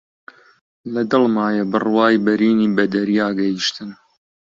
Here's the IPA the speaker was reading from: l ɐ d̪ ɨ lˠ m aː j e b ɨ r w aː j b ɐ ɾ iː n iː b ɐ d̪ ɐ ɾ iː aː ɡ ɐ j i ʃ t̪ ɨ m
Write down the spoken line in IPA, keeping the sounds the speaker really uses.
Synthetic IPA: l ɐ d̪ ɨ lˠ m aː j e b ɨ r w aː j b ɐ ɾ iː n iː b ɐ d̪ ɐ ɾ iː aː ɡ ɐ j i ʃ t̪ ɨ n